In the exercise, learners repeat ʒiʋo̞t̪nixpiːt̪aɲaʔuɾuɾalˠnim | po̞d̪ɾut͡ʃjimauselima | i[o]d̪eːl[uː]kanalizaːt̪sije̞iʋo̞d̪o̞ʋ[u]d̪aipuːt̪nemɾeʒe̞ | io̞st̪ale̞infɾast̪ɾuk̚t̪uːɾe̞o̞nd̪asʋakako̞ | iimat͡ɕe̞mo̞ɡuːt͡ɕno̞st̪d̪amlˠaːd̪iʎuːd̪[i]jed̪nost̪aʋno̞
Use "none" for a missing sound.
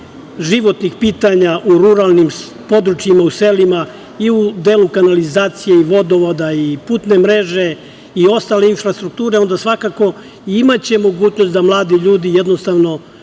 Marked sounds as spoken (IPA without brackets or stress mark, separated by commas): u, u, o, i